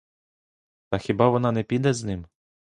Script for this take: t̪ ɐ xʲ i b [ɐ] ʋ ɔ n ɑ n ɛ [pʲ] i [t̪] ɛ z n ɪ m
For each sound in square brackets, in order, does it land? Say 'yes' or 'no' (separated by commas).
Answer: no, yes, no